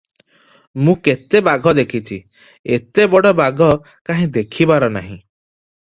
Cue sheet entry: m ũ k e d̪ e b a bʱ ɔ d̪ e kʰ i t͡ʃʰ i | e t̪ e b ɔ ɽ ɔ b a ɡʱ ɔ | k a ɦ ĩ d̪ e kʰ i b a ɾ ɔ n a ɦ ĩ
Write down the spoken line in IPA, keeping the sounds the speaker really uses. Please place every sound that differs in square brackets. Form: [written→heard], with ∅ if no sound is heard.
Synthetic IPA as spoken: m ũ k e [d̪→t̪] e b a [bʱ→ɡʱ] ɔ d̪ e kʰ i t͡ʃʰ i | e t̪ e b ɔ ɽ ɔ b a ɡʱ ɔ | k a ɦ ĩ d̪ e kʰ i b a ɾ ɔ n a ɦ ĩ